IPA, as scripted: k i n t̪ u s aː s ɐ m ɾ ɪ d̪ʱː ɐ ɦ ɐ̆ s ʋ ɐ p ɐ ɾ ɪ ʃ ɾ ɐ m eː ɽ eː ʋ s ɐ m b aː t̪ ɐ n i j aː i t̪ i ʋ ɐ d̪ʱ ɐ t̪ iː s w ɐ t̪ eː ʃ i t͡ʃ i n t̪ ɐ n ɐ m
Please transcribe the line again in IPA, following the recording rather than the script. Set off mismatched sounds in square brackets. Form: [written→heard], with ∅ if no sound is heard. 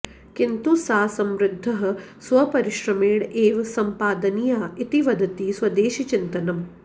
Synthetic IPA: k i n t̪ u s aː s ɐ m ɾ ɪ d̪ʱː ɐ ɦ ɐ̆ s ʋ ɐ p ɐ ɾ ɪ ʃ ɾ ɐ m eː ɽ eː ʋ s ɐ m [b→p] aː [t̪→d̪] ɐ n i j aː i t̪ i ʋ ɐ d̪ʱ ɐ t̪ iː s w ɐ [t̪→d̪] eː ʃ i t͡ʃ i n t̪ ɐ n ɐ m